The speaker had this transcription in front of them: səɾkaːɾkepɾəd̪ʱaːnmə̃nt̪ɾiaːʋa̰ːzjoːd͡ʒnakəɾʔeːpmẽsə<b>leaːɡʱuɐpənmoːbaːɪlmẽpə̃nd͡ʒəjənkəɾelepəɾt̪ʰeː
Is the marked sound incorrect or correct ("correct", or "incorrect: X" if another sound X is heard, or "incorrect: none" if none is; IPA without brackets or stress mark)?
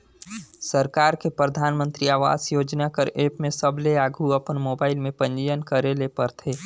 correct